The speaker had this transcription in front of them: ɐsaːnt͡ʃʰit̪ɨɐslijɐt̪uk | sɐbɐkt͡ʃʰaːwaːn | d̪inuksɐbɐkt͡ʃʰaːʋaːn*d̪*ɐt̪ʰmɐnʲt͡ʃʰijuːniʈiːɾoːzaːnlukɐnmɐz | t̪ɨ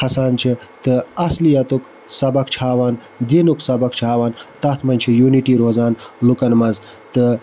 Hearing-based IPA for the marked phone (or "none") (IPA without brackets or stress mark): t̪